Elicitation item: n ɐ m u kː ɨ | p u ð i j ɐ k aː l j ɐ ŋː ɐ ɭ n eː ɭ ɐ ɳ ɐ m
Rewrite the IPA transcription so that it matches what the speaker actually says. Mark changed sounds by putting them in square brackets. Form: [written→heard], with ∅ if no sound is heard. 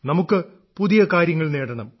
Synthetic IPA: n ɐ m u kː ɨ | p u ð i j ɐ k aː [l→ɾ] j ɐ ŋː ɐ ɭ n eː [ɭ→ɽ] ɐ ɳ ɐ m